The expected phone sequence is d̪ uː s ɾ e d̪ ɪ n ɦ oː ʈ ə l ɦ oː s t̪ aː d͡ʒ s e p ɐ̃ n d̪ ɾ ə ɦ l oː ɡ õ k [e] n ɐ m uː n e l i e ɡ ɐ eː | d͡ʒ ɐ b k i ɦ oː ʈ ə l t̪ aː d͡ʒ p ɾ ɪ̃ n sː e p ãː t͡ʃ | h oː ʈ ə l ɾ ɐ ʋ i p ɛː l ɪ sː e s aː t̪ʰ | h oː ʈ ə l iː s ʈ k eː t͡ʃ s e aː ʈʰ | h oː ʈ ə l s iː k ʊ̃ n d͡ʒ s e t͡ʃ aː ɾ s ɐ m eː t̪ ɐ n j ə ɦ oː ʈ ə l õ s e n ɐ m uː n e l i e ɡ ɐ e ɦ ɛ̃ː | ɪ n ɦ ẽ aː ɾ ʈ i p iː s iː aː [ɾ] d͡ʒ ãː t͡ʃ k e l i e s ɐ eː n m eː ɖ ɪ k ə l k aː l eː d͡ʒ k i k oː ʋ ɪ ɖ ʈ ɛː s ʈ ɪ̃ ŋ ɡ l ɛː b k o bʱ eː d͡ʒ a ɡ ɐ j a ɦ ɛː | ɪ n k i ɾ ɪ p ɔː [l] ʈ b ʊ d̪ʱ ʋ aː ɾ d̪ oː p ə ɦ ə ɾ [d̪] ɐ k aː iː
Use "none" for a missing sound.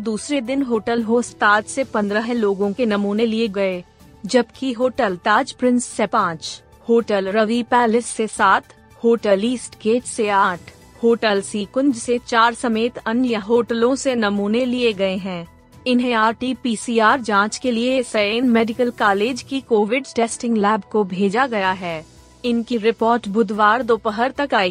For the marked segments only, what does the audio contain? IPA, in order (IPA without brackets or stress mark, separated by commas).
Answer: e, ɾ, ɾ, t̪